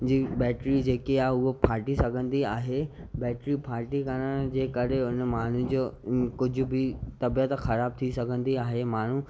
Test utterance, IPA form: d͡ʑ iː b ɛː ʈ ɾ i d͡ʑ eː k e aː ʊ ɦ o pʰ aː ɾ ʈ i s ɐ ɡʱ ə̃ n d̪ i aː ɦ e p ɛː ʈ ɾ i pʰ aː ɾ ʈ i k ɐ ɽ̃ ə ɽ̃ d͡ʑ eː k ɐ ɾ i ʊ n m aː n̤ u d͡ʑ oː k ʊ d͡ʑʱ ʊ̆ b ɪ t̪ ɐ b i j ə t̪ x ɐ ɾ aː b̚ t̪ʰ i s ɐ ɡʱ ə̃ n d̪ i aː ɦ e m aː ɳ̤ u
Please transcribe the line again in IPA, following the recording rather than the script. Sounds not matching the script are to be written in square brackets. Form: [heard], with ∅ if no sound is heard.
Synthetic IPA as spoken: d͡ʑ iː b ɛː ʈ ɾ i d͡ʑ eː k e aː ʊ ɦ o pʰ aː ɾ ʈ i s ɐ ɡʱ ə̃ n d̪ i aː ɦ e [b] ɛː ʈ ɾ i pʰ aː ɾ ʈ i k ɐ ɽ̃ ə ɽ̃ d͡ʑ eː k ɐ ɾ [e] ʊ n m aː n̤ u d͡ʑ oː k ʊ d͡ʑʱ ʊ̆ b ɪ t̪ ɐ b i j ə t̪ x ɐ ɾ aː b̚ t̪ʰ i s ɐ ɡʱ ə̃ n d̪ i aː ɦ e m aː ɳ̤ u